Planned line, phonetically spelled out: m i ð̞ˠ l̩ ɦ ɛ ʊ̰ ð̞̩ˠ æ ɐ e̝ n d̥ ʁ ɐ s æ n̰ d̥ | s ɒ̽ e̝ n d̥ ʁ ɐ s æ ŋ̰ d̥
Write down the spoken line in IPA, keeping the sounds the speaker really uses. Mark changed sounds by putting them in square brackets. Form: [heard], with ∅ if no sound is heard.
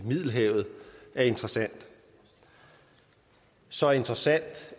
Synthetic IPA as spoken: m i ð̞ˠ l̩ ɦ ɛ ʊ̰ ð̞̩ˠ æ ɐ e̝ n d̥ ʁ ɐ s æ n̰ d̥ | s ɒ̽ e̝ n d̥ ʁ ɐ s æ [n̰] d̥